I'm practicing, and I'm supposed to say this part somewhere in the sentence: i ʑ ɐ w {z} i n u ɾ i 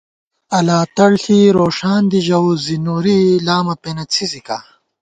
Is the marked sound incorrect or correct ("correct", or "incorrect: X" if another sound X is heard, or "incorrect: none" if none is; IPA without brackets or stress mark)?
correct